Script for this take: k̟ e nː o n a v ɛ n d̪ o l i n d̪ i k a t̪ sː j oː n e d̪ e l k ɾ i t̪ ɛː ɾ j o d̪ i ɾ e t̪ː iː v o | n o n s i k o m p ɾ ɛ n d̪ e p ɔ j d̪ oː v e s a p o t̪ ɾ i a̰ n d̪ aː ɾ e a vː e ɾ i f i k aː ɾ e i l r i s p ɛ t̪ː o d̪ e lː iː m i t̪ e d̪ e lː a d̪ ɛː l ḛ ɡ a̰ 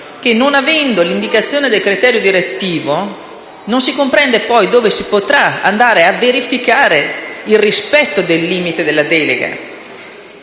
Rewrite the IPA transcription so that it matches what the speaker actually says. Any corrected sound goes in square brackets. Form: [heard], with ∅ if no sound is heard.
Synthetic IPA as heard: k̟ e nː o n a v ɛ n d̪ o l i n d̪ i k a t̪ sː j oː n e d̪ e l k ɾ i t̪ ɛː ɾ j o d̪ i ɾ e t̪ː iː v o | n o n s i k o m p ɾ ɛ n d̪ e p ɔ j d̪ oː v e s [i] p o t̪ ɾ [a] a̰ n d̪ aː ɾ e a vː e ɾ i f i k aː ɾ e i l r i s p ɛ t̪ː o d̪ e lː iː m i t̪ e d̪ e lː a d̪ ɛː l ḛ ɡ a̰